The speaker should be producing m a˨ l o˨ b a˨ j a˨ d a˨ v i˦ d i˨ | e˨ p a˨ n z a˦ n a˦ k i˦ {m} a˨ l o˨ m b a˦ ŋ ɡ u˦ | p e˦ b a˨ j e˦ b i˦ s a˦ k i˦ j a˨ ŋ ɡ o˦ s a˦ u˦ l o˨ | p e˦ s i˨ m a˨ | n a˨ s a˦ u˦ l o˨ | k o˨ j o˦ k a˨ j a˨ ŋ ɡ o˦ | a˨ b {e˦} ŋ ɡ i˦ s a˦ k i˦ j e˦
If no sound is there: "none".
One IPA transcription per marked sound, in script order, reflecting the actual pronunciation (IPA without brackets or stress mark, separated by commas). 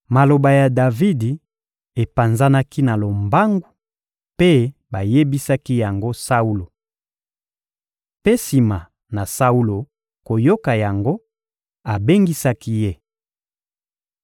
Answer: n, e˦